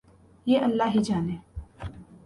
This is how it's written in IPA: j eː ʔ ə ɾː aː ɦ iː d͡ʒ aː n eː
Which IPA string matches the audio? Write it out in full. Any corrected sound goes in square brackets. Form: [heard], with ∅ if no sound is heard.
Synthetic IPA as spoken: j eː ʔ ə [lː] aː ɦ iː d͡ʒ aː n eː